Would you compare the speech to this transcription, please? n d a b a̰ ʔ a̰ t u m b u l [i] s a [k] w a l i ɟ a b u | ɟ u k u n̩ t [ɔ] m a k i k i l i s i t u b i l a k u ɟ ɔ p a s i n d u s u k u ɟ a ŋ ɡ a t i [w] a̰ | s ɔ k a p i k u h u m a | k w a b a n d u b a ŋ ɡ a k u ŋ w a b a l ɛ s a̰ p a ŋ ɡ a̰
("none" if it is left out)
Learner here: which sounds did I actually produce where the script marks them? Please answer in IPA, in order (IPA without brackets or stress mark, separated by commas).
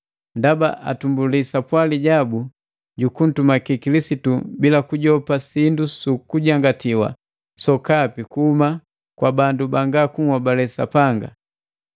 i, p, u, w